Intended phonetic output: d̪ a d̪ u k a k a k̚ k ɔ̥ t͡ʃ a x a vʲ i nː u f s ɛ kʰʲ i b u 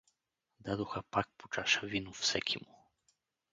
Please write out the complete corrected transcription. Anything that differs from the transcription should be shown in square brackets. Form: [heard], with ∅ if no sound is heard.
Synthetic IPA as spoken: d̪ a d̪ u [x] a [p] a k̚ [p] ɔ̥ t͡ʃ a [ʃ] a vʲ i [n] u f s ɛ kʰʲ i [m] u

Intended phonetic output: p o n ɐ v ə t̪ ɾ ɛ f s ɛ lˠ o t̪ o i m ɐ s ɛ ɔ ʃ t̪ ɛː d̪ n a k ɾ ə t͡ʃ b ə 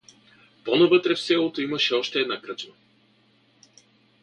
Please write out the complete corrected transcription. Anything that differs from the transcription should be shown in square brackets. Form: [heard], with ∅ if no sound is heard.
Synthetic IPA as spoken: p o n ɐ v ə t̪ ɾ ɛ f s ɛ lˠ o t̪ o i m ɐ [ʃ] ɛ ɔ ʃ t̪ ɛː d̪ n a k ɾ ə t͡ʃ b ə

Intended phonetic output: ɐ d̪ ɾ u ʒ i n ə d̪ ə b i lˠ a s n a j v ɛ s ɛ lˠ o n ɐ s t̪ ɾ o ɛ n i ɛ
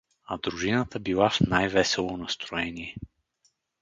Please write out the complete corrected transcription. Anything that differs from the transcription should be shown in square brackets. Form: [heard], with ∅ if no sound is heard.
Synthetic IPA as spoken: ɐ d̪ ɾ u ʒ i n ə [t̪] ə b i lˠ a [f] n a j v ɛ s ɛ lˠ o n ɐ s t̪ ɾ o ɛ n i ɛ

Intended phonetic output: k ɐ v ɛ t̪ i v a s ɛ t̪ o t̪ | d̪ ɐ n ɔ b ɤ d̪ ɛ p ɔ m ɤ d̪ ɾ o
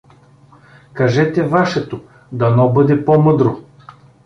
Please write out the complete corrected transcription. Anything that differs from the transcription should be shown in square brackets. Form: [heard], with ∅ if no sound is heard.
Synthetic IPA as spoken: k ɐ [ʒ] ɛ t̪ [ɛ] v a [ʃ] ɛ t̪ o [∅] | d̪ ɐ n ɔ b ɤ d̪ ɛ p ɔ m ɤ d̪ ɾ o

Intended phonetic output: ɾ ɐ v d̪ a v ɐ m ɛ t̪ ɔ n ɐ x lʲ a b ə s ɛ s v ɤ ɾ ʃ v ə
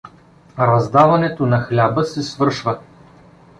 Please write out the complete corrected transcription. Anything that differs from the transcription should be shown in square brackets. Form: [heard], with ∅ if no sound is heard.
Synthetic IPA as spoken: ɾ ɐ [z] d̪ a v ɐ [n] ɛ t̪ [o] n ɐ x lʲ a b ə s ɛ s v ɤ ɾ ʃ v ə

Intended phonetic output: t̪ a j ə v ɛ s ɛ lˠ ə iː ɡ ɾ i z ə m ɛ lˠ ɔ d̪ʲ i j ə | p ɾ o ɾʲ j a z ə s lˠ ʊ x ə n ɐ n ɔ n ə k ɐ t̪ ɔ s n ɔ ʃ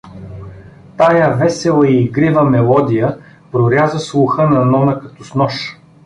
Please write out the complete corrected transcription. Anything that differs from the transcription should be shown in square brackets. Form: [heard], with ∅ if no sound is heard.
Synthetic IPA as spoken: t̪ a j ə v ɛ s ɛ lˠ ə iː ɡ ɾ i [v] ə m ɛ lˠ ɔ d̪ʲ i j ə | p ɾ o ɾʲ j a z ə s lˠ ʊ x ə n ɐ n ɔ n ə k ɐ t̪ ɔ s n ɔ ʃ

